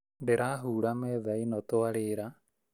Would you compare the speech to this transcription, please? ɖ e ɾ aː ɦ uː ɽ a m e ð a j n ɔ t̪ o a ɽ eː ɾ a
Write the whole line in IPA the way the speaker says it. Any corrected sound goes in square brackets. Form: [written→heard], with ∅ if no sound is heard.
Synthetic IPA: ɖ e ɾ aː ɦ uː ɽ a m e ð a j n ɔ t̪ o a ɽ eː ɾ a